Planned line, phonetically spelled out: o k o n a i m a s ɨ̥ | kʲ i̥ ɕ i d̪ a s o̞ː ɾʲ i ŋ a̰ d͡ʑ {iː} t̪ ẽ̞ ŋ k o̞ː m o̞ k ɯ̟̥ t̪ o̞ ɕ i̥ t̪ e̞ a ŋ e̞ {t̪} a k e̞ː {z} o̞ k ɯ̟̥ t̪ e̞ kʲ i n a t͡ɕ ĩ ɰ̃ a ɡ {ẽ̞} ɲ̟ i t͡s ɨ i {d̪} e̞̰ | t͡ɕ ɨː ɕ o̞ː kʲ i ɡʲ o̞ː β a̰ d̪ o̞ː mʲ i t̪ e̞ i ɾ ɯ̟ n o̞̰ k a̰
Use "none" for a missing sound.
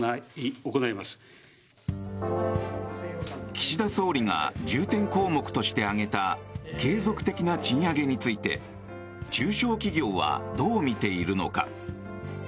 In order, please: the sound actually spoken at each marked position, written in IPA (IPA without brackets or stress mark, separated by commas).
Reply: ɨː, t̪, z, e̞, t̪